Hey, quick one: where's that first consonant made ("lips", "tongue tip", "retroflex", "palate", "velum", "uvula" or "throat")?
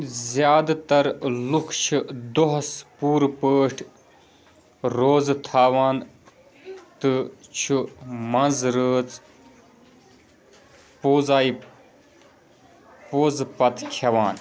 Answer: tongue tip